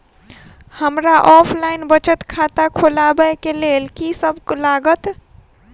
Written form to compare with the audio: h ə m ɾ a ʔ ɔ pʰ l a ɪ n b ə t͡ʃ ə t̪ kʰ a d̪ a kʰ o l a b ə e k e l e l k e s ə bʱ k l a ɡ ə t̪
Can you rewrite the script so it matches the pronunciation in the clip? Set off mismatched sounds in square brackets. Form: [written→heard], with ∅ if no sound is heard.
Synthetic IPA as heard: h ə m ɾ a ʔ ɔ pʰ l a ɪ n b ə t͡ʃ ə t̪ kʰ a [d̪→t̪] a kʰ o l a b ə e k e l e l k [e→i] s ə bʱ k l a ɡ ə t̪